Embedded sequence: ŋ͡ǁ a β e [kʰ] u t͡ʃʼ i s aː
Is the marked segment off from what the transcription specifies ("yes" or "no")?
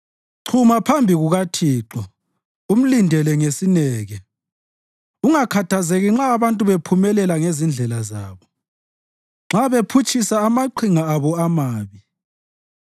yes